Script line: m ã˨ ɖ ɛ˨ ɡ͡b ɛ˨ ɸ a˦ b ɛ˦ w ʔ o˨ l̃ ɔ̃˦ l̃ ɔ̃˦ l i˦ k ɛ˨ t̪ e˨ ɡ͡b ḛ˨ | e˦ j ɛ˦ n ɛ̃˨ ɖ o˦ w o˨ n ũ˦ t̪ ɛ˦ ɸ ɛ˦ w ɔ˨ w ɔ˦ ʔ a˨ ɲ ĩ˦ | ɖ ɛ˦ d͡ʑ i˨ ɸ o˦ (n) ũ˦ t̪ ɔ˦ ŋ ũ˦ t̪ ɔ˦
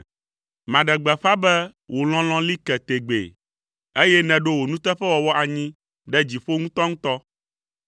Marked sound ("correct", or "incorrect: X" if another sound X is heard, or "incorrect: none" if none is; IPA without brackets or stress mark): incorrect: ŋ